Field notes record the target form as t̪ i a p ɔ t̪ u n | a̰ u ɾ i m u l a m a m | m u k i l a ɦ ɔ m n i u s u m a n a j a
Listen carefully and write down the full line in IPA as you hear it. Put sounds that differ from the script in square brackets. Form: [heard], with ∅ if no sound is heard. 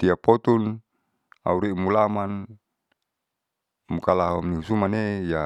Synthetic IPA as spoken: t̪ i a p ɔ t̪ u n | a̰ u ɾ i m u l a m a [n] | m u k [a] l a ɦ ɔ m n i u s u m a n [e] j a